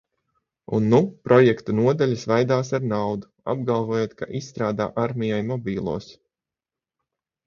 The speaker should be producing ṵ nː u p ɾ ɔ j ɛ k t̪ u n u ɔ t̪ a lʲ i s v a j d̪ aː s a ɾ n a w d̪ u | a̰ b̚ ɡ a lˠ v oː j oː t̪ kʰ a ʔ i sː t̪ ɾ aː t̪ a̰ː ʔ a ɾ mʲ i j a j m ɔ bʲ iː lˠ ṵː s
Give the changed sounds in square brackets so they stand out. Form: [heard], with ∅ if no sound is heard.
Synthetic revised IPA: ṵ nː u p ɾ ɔ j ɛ k t̪ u n u ɔ [d̪] a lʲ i s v a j d̪ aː s a ɾ n a w d̪ u | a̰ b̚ ɡ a lˠ v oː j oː t̪ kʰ a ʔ i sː t̪ ɾ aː [d̪] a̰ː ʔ a ɾ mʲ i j a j m ɔ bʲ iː lˠ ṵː s